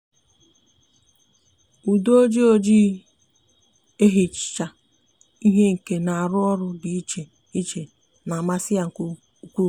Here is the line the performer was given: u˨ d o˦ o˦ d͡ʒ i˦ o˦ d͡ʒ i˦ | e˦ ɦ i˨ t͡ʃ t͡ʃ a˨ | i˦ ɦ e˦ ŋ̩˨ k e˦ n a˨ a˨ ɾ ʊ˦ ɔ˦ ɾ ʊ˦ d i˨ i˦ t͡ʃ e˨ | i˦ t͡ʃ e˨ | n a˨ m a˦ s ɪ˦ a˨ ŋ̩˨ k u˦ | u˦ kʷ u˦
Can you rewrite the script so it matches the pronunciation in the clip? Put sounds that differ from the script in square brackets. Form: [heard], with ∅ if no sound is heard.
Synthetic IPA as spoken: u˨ d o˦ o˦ d͡ʒ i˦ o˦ d͡ʒ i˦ | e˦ ɦ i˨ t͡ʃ t͡ʃ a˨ | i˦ ɦ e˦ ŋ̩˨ k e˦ n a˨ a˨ ɾ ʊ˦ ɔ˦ ɾ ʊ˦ d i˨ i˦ t͡ʃ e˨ | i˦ t͡ʃ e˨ | n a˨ m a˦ s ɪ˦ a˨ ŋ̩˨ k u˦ | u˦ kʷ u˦